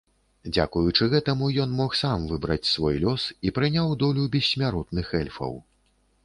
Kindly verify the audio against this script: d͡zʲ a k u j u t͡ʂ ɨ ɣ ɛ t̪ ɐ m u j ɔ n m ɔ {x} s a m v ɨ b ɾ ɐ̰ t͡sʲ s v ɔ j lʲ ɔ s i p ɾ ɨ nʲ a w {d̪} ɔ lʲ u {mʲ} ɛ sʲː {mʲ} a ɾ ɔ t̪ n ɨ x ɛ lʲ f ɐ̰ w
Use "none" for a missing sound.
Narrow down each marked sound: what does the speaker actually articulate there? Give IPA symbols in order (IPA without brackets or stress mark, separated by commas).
x, d̪, bʲ, mʲ